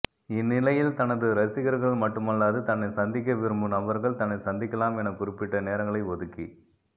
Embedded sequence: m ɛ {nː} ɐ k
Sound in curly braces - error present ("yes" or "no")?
yes